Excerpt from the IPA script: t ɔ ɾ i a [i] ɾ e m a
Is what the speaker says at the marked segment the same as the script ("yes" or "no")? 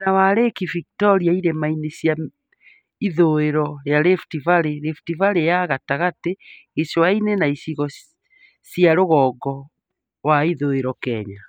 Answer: yes